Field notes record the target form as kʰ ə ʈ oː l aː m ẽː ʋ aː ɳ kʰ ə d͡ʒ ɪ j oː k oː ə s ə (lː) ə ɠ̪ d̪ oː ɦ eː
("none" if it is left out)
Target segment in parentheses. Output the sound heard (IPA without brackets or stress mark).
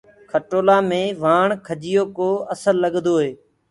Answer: lː